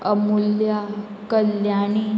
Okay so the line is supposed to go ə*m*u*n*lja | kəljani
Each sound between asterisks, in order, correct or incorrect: correct, incorrect

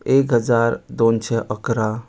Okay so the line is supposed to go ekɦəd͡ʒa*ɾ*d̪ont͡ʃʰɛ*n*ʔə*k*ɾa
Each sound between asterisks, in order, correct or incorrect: correct, incorrect, correct

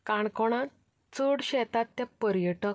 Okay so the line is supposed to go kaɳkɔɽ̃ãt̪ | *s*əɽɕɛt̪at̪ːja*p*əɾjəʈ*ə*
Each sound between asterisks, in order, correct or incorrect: incorrect, correct, correct

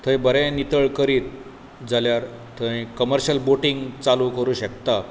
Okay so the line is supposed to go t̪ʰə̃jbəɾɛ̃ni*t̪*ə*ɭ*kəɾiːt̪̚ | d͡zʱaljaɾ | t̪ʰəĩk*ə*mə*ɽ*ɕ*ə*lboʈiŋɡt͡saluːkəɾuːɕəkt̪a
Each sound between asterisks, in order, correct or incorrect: correct, correct, correct, incorrect, correct

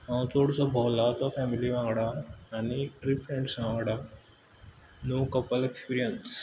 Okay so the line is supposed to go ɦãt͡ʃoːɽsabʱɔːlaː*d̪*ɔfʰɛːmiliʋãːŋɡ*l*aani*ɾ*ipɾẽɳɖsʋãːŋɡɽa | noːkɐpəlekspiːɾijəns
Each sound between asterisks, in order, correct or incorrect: incorrect, incorrect, correct

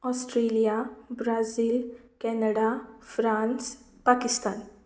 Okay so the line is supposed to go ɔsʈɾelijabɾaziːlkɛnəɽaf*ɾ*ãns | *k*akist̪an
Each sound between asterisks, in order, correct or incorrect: correct, incorrect

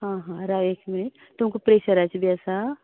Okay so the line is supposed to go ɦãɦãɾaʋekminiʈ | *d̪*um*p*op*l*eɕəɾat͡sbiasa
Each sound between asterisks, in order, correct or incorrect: incorrect, incorrect, incorrect

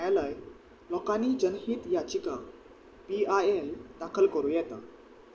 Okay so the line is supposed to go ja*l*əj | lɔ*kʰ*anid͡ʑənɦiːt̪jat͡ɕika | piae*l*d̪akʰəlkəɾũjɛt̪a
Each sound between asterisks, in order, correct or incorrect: correct, incorrect, correct

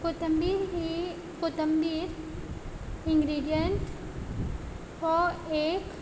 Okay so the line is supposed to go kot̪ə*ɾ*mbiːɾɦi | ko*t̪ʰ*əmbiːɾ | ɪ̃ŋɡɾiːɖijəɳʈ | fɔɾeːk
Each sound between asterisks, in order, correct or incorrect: incorrect, incorrect

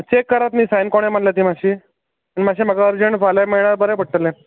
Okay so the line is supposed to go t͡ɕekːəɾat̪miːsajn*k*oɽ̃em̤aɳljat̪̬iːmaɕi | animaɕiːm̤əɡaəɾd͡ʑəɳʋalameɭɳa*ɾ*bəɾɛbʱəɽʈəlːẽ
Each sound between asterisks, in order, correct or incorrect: correct, correct

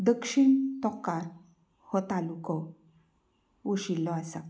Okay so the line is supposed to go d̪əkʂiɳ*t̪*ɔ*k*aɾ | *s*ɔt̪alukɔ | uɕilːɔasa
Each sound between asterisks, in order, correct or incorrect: correct, correct, incorrect

